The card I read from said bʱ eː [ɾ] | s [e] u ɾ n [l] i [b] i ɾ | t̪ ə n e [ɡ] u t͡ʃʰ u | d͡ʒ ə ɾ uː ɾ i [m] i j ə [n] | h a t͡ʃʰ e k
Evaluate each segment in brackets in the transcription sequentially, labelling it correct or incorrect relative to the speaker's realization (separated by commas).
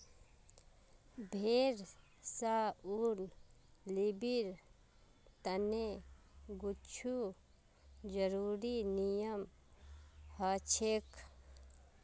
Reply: correct, incorrect, correct, correct, correct, incorrect, incorrect